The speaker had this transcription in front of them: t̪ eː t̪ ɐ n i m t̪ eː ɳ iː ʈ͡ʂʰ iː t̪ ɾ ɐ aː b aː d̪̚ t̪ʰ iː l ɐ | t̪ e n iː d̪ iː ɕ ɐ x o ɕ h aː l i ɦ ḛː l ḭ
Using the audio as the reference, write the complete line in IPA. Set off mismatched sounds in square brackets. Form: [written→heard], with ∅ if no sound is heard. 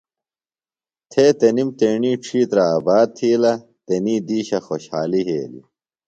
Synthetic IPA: [t̪→t̪ʰ] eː t̪ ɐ n i m t̪ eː ɳ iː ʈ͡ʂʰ iː t̪ ɾ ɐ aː b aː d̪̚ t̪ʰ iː l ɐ | t̪ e n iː d̪ iː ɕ ɐ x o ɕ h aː l i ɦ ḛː l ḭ